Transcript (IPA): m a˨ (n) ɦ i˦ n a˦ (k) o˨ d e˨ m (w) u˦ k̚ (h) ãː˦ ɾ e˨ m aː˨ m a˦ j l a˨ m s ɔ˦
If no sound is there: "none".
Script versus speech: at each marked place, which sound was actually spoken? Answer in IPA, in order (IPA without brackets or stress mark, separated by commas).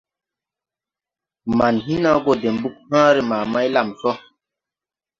n, ɡ, b, h